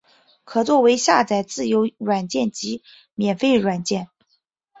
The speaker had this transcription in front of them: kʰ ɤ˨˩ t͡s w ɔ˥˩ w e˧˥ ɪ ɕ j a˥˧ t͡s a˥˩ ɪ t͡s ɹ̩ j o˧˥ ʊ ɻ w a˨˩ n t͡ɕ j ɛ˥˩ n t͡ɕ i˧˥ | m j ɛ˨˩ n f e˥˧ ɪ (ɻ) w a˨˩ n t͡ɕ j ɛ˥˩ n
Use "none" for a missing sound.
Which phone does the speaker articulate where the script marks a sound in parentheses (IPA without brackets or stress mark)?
ɻ